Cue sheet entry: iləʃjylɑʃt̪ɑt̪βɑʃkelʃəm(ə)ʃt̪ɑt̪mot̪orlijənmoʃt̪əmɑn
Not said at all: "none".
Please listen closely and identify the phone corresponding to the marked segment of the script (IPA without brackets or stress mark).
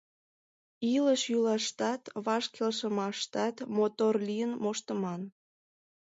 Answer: ɑ